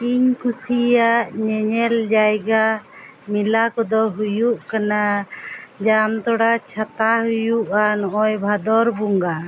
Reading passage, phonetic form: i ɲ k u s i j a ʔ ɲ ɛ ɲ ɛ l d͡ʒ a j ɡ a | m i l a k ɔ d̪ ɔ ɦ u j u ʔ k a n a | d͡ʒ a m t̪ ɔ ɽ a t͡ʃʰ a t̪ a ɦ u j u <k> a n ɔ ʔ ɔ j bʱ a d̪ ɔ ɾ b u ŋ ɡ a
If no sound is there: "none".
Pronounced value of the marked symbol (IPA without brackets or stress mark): ʔ